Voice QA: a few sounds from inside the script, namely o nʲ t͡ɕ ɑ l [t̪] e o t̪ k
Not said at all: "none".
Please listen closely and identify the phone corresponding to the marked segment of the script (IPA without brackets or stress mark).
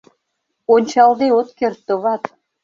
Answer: d̪